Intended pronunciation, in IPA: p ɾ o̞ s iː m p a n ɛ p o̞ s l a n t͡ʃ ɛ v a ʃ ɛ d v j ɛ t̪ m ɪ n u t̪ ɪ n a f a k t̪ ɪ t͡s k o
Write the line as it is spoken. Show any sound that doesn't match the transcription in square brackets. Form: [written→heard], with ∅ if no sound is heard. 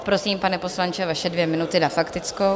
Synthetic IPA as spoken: p ɾ o̞ s iː m p a n ɛ p o̞ s l a n t͡ʃ ɛ v a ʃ ɛ d v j ɛ [t̪→∅] m ɪ n u t̪ ɪ n a f a k t̪ ɪ t͡s k o